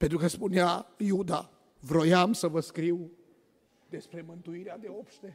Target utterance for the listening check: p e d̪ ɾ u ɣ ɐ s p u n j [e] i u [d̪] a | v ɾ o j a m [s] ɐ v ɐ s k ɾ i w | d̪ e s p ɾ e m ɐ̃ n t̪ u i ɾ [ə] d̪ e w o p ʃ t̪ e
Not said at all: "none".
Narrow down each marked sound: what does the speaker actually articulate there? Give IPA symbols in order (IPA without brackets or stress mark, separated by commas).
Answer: a, d̪, s, a